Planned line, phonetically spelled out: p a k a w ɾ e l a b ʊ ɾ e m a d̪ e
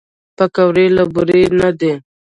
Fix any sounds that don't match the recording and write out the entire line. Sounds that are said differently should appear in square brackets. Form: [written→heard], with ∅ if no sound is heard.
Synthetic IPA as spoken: p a k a w ɾ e l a b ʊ ɾ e [m→n] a d̪ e